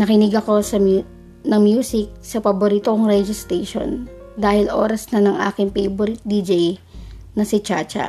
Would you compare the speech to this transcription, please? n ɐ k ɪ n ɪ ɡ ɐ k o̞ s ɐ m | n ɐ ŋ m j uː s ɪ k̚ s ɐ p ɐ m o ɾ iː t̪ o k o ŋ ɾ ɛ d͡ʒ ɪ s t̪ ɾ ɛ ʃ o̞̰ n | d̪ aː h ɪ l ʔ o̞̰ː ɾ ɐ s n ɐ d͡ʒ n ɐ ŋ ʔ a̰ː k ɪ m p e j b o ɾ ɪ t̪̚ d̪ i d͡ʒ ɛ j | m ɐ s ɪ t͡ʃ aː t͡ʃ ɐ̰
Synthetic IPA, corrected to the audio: n ɐ k ɪ n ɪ ɡ ɐ k o̞ s ɐ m | n ɐ ŋ m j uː s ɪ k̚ s ɐ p ɐ b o ɾ iː t̪ o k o ŋ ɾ ɛ d͡ʒ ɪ s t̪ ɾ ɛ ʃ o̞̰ n | d̪ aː h ɪ l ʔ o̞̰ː ɾ ɐ s n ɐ n ɐ ŋ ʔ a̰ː k ɪ ŋ p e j b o ɾ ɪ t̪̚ d̪ i d͡ʒ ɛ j | n ɐ s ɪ t͡ʃ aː t͡ʃ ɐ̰